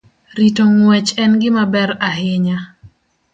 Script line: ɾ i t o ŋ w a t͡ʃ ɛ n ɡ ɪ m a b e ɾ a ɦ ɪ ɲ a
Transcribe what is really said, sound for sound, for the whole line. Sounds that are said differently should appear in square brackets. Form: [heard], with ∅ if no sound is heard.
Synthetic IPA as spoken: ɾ i t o ŋ w [ɛ] t͡ʃ ɛ n ɡ ɪ m a b [ɛ] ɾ a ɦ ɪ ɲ a